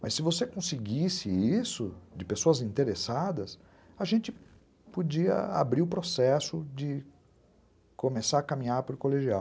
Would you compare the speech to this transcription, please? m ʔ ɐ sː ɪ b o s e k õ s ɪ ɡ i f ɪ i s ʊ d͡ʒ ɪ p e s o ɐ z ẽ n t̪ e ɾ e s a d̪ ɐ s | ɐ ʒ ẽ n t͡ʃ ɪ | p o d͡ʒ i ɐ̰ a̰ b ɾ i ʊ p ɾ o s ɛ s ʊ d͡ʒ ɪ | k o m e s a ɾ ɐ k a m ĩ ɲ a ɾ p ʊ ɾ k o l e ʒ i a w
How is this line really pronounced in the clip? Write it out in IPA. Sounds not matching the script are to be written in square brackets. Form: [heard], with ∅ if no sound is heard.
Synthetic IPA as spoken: m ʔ ɐ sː ɪ [v] o s e k õ s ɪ ɡ i [s] ɪ i s ʊ d͡ʒ ɪ p e s o ɐ z [ĩ] n t̪ e ɾ e s a d̪ ɐ s | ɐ ʒ ẽ n t͡ʃ ɪ | p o d͡ʒ i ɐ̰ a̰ b ɾ i ʊ p ɾ o s ɛ s ʊ d͡ʒ ɪ | k o m e s a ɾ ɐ k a m ĩ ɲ a ɾ p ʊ ɾ k o l e ʒ i a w

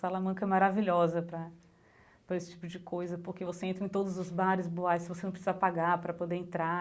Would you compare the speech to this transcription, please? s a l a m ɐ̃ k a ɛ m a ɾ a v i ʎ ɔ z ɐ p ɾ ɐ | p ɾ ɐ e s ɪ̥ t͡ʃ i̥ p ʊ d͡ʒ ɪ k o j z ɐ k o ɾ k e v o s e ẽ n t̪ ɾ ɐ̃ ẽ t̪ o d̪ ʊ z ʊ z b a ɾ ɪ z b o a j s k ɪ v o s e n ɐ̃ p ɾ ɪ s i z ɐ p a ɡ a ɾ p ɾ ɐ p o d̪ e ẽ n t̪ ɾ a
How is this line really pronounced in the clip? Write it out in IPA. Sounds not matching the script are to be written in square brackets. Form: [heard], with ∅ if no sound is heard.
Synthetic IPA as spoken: s a l a m ɐ̃ k [ɐ] ɛ m a ɾ a v i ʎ ɔ z ɐ p ɾ ɐ | p ɾ ɐ e s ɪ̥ t͡ʃ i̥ p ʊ d͡ʒ ɪ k o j z ɐ [p] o ɾ k e v o s e ẽ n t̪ ɾ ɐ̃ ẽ t̪ o d̪ ʊ z ʊ z b a ɾ ɪ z b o a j s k ɪ v o s e n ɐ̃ p ɾ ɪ s i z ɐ p a ɡ a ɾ p ɾ ɐ p o d̪ e ẽ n t̪ ɾ a

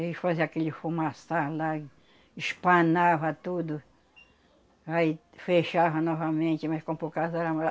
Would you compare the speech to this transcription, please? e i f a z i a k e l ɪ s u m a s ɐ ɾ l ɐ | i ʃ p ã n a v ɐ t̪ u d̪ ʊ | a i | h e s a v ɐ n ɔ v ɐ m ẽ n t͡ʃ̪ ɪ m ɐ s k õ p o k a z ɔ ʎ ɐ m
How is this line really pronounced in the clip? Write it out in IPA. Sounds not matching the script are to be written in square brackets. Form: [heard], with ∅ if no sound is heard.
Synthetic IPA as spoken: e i f a z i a k e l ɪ [f] u m a s [a] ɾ l [a] | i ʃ p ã n a v ɐ t̪ u d̪ ʊ | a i | [f] e [ʃ] a v ɐ n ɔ v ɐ m ẽ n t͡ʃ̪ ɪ m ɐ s k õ p o k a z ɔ [ɾ] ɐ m

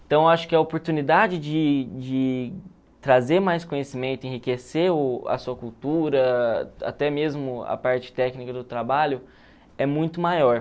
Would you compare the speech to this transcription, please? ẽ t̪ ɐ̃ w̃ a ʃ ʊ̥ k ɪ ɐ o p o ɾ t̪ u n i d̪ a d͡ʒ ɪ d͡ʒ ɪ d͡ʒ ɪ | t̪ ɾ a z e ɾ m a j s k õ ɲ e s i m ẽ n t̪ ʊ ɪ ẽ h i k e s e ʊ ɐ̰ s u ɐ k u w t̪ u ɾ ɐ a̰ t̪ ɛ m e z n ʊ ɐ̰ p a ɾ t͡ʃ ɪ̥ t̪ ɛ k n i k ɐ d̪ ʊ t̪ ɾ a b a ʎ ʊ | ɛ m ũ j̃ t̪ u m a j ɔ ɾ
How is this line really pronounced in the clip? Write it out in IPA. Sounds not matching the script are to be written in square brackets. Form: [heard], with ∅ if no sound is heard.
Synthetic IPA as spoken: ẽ t̪ ɐ̃ w̃ a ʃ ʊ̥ k ɪ ɐ o p o ɾ t̪ u n i d̪ a d͡ʒ ɪ d͡ʒ ɪ d͡ʒ ɪ | t̪ ɾ a z e ɾ m a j s k õ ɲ e s i m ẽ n t̪ ʊ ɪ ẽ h i k e s e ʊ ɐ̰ s u ɐ k u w t̪ u ɾ ɐ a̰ t̪ ɛ m e z [m] ʊ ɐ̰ p a ɾ t͡ʃ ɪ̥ t̪ ɛ k n i k ɐ d̪ ʊ t̪ ɾ a b a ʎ ʊ | ɛ m ũ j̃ t̪ [ʊ] m a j ɔ ɾ

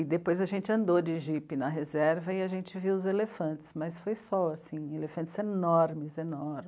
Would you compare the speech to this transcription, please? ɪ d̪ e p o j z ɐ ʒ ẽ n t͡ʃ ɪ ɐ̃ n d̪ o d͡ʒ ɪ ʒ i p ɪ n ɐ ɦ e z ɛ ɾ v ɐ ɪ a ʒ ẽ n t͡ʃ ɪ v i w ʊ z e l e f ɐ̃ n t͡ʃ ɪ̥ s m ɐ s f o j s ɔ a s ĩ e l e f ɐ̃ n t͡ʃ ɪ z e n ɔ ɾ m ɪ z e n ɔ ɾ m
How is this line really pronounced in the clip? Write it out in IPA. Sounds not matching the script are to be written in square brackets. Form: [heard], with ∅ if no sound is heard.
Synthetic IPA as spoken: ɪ d̪ e p o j z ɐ ʒ ẽ n t͡ʃ ɪ ɐ̃ n d̪ o d͡ʒ ɪ ʒ i p ɪ n ɐ ɦ e z ɛ ɾ v ɐ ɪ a ʒ ẽ n t͡ʃ ɪ v i w ʊ z e l e f ɐ̃ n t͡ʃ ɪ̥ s m ɐ s f o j s ɔ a s ĩ e l e f ɐ̃ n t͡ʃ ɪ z e n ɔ ɾ m ɪ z e n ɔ ɾ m

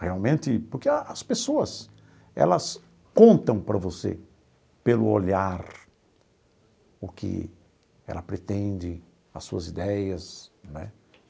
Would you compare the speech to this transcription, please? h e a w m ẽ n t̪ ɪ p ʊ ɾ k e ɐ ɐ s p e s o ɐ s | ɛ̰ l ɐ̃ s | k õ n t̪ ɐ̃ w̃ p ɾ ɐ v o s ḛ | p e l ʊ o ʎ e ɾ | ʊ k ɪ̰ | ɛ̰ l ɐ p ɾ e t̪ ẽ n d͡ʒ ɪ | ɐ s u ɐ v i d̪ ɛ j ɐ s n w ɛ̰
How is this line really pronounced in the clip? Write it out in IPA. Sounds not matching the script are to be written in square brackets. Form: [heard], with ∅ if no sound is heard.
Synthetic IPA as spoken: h e a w m ẽ n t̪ ɪ p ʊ ɾ k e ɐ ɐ s p e s o ɐ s | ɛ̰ l [ɐ] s | k õ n t̪ ɐ̃ w̃ p ɾ ɐ v o s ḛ | p e l ʊ o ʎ [a] ɾ | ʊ k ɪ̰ | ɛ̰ l ɐ p ɾ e t̪ ẽ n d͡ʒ ɪ | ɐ s u ɐ [z] i d̪ ɛ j ɐ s n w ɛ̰

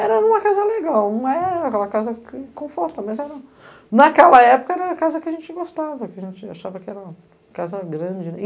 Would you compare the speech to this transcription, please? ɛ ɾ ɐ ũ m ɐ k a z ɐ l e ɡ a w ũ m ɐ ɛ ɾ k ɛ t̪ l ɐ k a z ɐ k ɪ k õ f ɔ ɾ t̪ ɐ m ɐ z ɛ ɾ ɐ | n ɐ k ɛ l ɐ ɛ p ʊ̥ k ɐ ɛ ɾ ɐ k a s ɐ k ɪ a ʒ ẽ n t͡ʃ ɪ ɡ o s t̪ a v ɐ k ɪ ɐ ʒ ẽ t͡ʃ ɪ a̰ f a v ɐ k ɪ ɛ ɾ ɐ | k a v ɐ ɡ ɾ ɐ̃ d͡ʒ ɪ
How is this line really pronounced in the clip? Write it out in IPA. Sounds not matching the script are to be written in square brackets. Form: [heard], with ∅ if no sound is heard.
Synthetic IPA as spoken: ɛ ɾ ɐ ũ m ɐ k a z ɐ l e ɡ a w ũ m ɐ ɛ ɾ k ɛ [∅] l ɐ k a z ɐ k ɪ k õ f ɔ ɾ t̪ ɐ m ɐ z ɛ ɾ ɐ | n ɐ k ɛ l ɐ ɛ p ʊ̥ k ɐ ɛ ɾ ɐ k a [z] ɐ k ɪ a ʒ ẽ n t͡ʃ ɪ ɡ o s t̪ a v ɐ k ɪ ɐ ʒ ẽ t͡ʃ ɪ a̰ [ʃ] a v ɐ k ɪ ɛ ɾ ɐ | k a [z] ɐ ɡ ɾ ɐ̃ d͡ʒ ɪ

